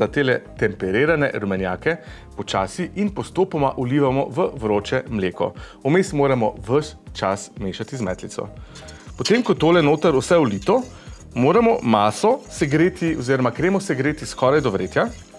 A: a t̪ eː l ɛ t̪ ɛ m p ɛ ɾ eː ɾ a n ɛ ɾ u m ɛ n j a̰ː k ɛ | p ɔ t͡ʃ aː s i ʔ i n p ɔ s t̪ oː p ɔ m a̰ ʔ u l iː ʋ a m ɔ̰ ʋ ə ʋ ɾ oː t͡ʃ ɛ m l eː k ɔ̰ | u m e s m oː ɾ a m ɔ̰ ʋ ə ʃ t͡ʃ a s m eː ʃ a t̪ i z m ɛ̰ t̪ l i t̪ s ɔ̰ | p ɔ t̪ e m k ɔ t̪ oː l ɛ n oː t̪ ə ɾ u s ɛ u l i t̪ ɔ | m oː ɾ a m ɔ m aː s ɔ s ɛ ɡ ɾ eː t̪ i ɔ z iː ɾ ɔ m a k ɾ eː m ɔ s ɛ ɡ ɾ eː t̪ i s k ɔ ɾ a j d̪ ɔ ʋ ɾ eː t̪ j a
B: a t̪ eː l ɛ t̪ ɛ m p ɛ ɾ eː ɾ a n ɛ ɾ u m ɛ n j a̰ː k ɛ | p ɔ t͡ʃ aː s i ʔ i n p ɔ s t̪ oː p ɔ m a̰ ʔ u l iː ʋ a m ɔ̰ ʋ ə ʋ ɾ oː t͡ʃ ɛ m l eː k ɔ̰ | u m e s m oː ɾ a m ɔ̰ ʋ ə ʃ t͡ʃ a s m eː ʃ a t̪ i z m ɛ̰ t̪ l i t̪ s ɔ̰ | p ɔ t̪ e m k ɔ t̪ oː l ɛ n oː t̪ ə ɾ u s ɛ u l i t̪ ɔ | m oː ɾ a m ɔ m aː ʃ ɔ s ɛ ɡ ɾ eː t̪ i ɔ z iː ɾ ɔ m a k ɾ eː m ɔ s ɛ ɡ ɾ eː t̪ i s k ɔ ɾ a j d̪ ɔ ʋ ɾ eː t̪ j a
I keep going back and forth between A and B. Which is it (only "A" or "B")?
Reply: A